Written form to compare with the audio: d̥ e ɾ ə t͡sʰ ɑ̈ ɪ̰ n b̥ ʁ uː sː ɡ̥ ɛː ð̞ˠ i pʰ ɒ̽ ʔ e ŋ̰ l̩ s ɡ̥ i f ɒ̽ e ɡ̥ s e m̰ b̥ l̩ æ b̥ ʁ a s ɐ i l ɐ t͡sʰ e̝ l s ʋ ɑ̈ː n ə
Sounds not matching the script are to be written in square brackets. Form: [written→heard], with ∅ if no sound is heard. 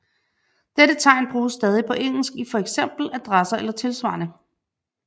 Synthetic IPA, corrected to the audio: d̥ e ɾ ə t͡sʰ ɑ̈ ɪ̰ n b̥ ʁ uː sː [ɡ̥→d̥] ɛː ð̞ˠ i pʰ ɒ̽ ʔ e ŋ̰ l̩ s ɡ̥ i f ɒ̽ e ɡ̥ s e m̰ b̥ l̩ æ [b̥→d̥] ʁ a s ɐ [i→e] l ɐ t͡sʰ e̝ l s ʋ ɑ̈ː n ə